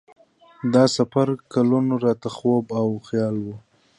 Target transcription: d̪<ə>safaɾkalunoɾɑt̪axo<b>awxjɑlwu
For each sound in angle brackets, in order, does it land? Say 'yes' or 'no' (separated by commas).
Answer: no, yes